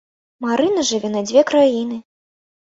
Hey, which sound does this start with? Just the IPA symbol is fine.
m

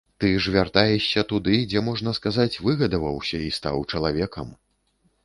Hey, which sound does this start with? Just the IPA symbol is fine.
t̪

